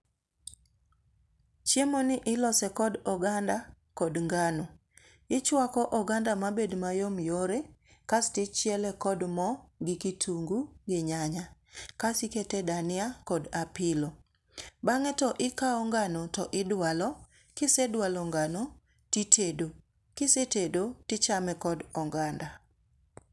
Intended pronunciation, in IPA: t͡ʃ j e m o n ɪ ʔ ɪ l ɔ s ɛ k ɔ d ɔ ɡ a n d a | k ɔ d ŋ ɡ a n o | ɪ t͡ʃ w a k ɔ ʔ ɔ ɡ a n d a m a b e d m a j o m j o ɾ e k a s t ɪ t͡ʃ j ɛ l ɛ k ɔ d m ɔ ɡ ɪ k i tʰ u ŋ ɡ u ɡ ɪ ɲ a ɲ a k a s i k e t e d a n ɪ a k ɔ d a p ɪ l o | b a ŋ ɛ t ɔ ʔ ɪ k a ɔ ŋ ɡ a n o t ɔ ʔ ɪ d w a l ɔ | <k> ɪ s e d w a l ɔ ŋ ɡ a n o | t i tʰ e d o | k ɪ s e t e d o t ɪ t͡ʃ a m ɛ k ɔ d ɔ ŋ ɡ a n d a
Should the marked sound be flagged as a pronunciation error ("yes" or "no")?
no